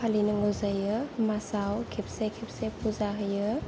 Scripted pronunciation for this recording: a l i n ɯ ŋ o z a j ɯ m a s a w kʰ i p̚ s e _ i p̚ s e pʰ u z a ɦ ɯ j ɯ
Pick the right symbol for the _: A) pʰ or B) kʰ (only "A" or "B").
B